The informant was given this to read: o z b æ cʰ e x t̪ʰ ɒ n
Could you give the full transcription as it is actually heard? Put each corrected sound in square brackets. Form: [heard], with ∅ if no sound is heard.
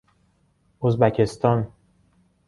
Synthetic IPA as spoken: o z b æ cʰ e [s] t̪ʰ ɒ n